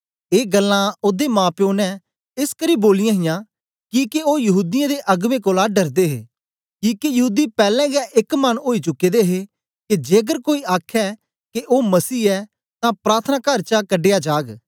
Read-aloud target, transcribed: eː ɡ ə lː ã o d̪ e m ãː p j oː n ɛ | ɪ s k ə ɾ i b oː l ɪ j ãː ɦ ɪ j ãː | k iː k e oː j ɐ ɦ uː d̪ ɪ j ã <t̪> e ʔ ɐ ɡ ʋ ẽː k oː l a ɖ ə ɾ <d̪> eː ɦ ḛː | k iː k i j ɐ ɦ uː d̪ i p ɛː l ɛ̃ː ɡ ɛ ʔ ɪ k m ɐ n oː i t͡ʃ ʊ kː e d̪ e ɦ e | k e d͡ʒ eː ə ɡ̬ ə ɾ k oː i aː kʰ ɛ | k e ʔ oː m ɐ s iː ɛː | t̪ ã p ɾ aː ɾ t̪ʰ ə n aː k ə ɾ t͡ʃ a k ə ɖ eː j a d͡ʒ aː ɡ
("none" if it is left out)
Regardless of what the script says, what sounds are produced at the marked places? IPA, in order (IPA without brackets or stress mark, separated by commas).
d̪, d̪